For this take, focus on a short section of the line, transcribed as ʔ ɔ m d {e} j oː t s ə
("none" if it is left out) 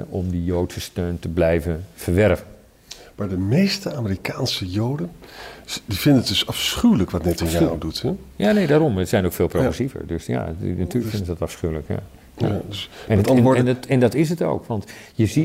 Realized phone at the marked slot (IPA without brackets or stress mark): i